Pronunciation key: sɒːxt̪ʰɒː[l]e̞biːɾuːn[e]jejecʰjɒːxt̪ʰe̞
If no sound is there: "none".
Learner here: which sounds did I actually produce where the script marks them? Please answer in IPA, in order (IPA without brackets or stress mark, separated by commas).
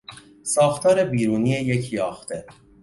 ɾ, i